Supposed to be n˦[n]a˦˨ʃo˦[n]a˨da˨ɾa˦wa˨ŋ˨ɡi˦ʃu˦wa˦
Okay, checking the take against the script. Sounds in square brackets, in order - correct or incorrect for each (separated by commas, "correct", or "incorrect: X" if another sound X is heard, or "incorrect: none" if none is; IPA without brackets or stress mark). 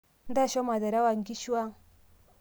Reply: incorrect: d, incorrect: m